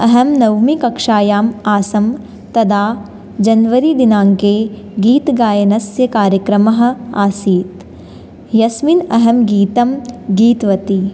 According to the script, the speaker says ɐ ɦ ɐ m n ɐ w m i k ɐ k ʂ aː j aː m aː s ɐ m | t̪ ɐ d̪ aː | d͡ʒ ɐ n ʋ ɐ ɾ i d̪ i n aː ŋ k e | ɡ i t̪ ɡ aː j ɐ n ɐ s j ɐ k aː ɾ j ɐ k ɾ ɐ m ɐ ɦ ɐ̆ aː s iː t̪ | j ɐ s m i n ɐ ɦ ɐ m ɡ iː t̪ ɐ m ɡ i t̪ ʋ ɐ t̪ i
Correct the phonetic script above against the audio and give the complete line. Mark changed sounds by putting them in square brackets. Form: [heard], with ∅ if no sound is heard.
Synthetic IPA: ɐ ɦ ɐ m n ɐ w m i k ɐ k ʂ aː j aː m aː s ɐ m | t̪ ɐ d̪ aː | d͡ʒ ɐ n ʋ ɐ ɾ i d̪ i n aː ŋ k e | ɡ [iː] t̪ ɡ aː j ɐ n ɐ s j ɐ k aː ɾ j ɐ k ɾ ɐ m ɐ ɦ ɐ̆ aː s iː t̪ | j ɐ s m i n ɐ ɦ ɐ m ɡ iː t̪ ɐ m ɡ [iː] t̪ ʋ ɐ t̪ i